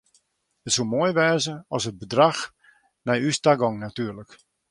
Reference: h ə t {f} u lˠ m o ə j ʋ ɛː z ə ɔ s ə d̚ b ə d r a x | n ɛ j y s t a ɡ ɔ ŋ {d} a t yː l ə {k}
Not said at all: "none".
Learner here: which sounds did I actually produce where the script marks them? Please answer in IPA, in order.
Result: s, n, k

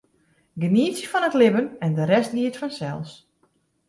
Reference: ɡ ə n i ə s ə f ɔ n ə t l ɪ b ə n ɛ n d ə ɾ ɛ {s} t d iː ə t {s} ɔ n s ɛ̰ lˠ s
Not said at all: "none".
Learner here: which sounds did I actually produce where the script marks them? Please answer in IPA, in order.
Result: s, f

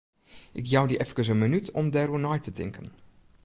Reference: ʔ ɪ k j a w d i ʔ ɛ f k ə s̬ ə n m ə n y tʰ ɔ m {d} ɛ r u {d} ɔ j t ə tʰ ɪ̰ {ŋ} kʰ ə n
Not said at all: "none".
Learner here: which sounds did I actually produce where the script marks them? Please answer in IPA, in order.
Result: d, n, ŋ

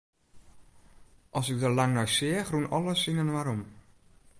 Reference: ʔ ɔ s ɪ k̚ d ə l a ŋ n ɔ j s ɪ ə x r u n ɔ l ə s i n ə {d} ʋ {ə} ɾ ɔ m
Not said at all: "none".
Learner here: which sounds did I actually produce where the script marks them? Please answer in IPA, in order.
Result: n, a

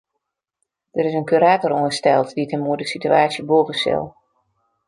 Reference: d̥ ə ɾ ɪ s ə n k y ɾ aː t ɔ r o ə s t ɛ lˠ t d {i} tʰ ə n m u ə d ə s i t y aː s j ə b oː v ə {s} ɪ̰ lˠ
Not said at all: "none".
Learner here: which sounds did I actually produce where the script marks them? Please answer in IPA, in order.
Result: i, s

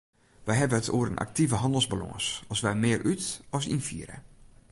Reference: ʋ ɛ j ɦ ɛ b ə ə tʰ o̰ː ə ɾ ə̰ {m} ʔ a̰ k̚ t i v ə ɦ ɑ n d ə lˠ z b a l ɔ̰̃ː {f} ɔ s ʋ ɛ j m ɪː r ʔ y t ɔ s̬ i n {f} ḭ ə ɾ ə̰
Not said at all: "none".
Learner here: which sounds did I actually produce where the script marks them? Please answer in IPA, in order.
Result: n, s, f

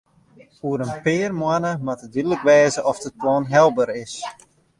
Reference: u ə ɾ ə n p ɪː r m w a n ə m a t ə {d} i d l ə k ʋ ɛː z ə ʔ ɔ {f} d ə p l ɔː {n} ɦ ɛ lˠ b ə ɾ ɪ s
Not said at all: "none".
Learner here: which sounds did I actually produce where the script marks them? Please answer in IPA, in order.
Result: d, f, n

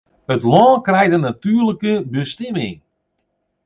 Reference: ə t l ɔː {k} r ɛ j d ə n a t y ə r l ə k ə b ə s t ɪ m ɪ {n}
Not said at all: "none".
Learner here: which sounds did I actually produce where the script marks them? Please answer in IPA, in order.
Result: k, ŋ

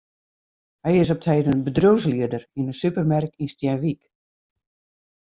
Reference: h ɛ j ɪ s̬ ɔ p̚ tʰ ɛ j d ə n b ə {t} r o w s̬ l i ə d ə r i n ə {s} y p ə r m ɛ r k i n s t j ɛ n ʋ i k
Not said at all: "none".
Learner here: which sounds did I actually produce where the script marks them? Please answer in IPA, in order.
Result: d, s

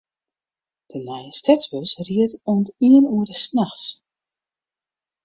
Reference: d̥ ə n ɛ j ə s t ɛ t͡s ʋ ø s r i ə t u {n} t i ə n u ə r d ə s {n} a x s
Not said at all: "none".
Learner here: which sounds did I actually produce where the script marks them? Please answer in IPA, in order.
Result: n, n

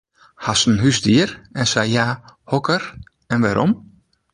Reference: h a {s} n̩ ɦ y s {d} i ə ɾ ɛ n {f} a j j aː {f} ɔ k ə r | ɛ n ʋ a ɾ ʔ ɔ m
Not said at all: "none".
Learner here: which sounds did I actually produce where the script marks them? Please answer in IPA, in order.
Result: s, d, s, h

